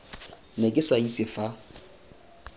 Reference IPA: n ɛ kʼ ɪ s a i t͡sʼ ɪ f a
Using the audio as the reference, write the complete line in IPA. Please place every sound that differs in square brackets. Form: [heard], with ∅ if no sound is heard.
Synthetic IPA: n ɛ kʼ ɪ s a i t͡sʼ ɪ f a